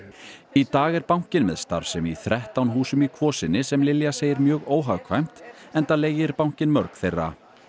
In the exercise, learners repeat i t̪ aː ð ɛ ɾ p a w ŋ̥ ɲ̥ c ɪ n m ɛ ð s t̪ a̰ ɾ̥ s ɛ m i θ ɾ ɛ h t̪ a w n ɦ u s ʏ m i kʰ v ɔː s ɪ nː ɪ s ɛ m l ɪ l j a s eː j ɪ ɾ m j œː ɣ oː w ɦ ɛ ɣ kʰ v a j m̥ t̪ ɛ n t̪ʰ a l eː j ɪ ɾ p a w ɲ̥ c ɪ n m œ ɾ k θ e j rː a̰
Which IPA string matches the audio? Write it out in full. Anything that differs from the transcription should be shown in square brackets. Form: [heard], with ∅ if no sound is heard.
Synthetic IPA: i t̪ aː [ɣ] ɛ ɾ p a w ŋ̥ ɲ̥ c ɪ n m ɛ ð s t̪ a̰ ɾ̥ s ɛ m i θ ɾ ɛ h t̪ a w n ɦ [uː] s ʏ m i kʰ v ɔː s ɪ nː ɪ s ɛ m l ɪ l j a s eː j ɪ ɾ m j œː ɣ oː w ɦ [a] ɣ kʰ v a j m̥ t̪ ɛ n [t̪] a l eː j ɪ ɾ p a w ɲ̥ c ɪ n m œ ɾ k θ e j rː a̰